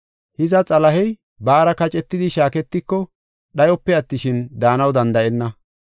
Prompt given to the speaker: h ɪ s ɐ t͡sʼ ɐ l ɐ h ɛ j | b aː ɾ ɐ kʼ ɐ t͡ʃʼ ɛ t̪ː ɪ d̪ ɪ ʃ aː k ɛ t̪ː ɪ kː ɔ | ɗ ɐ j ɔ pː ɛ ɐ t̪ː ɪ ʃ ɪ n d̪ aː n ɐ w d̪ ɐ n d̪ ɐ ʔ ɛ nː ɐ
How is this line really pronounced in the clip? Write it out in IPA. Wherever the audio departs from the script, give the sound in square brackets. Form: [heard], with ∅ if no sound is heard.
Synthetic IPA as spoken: h ɪ [z] ɐ t͡sʼ ɐ l ɐ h ɛ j | b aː ɾ ɐ [k] ɐ t͡ʃʼ ɛ t̪ː ɪ d̪ ɪ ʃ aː k ɛ t̪ː ɪ kː ɔ | ɗ ɐ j ɔ pː ɛ ɐ t̪ː ɪ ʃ ɪ n d̪ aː n ɐ w d̪ ɐ n d̪ ɐ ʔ ɛ nː ɐ